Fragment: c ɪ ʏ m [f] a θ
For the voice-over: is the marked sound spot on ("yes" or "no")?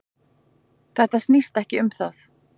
no